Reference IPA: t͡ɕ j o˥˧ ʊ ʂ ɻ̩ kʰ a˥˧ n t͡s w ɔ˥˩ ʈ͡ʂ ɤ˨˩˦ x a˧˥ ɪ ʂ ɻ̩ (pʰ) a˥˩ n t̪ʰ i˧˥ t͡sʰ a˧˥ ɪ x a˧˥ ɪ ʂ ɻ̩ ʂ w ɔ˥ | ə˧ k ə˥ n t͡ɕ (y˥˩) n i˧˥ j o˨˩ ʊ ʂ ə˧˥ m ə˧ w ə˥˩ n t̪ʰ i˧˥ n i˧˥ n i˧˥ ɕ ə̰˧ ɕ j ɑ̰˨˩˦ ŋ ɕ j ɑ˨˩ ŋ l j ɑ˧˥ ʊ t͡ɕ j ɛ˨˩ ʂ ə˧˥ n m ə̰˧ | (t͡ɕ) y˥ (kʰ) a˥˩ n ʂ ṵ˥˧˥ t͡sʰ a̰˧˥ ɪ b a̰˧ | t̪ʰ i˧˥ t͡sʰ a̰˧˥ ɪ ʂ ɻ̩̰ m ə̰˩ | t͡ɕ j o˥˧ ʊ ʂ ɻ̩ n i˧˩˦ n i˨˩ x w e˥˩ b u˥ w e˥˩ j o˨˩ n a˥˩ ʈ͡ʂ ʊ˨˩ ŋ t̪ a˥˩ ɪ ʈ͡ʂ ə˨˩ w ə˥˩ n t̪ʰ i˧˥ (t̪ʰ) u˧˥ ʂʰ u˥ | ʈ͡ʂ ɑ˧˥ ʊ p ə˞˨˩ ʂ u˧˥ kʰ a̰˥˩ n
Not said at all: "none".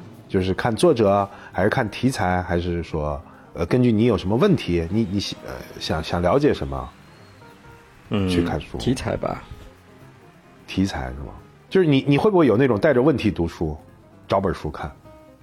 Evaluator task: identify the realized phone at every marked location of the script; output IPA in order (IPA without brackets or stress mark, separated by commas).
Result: kʰ, y˥˩, t͡ɕʰ, kʰ, t̪